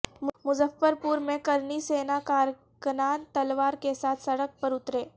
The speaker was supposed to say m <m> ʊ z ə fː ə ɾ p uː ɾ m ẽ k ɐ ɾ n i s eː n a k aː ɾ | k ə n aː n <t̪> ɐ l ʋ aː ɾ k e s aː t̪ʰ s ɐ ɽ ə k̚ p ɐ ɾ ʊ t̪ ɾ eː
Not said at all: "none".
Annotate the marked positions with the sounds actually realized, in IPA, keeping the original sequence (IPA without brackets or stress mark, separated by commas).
m, t̪